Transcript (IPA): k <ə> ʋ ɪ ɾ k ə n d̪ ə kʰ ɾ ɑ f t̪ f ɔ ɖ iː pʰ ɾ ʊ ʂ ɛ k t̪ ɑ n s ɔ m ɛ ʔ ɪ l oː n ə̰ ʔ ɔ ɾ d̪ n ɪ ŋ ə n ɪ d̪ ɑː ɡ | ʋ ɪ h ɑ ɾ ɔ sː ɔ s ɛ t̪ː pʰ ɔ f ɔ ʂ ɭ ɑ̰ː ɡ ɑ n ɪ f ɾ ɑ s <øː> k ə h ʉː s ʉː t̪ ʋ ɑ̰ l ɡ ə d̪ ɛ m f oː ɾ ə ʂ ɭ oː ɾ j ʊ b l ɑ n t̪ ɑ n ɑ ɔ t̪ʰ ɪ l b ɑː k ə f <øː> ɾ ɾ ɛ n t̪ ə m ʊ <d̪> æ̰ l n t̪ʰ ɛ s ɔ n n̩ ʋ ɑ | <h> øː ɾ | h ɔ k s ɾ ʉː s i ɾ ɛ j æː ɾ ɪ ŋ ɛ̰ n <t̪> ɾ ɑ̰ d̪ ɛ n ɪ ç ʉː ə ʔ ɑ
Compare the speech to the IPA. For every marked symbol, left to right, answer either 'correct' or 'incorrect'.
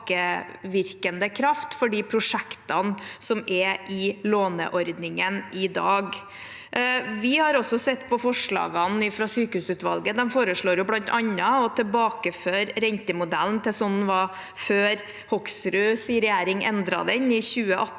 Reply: correct, incorrect: yː, correct, correct, incorrect: f, incorrect: d̪

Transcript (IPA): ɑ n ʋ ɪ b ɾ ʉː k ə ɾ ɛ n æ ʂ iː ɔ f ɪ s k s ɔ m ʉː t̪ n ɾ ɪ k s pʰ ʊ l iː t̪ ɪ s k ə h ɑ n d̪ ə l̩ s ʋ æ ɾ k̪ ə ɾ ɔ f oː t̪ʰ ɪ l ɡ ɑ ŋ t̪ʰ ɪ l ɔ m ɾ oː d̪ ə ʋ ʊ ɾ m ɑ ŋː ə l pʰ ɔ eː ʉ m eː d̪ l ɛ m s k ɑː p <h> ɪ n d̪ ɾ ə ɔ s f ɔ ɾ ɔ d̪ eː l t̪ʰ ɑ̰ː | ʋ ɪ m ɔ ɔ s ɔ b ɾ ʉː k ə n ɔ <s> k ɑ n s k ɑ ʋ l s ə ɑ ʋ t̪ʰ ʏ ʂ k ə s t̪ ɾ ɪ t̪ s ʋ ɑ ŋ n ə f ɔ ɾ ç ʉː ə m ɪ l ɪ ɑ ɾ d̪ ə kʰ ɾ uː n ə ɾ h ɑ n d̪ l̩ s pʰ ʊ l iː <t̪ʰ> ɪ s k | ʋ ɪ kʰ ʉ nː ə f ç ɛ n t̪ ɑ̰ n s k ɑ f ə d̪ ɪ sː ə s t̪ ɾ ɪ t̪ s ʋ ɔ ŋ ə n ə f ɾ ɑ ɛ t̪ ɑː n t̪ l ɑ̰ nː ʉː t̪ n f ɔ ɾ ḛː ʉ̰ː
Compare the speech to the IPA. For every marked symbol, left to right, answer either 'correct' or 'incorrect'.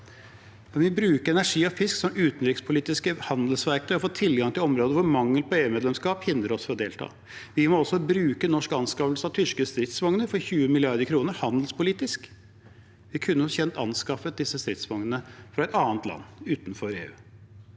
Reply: correct, incorrect: ʂ, incorrect: t̪

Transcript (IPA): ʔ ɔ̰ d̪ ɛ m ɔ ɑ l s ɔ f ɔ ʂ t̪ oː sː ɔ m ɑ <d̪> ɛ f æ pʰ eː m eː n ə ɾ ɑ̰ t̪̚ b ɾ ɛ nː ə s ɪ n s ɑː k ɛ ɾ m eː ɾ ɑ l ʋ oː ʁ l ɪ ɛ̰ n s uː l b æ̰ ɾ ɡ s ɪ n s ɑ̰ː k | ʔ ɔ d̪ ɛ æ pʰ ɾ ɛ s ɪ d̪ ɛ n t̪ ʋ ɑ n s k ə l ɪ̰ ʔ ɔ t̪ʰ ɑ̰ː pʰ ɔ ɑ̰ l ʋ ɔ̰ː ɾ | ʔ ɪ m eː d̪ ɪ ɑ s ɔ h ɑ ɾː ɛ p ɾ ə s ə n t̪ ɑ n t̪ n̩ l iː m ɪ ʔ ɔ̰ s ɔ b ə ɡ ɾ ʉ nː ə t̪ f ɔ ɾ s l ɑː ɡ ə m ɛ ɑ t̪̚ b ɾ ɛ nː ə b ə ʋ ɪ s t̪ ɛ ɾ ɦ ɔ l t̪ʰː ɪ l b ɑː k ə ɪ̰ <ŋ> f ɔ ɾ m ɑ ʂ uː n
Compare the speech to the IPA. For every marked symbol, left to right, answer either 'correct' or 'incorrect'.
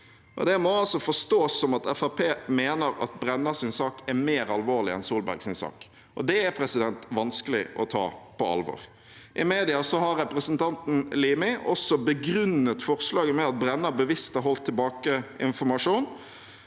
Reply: incorrect: t̪, incorrect: n

